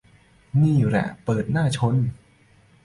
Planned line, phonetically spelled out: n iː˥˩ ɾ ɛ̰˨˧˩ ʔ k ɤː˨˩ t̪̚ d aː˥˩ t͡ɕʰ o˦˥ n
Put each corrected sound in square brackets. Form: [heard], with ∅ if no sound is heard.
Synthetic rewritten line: n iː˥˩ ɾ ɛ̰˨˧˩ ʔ [p] ɤː˨˩ t̪̚ [n] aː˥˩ t͡ɕʰ o˦˥ n